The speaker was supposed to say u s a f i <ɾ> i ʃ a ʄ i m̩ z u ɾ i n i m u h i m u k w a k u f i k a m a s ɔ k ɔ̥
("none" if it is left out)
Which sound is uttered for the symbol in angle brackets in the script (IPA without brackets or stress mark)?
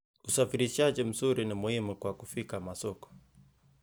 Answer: ɾ